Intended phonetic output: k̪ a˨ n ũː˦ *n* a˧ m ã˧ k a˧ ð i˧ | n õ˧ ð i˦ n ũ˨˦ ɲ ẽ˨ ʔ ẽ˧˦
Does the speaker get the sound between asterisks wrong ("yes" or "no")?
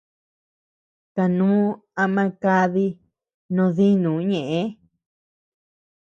yes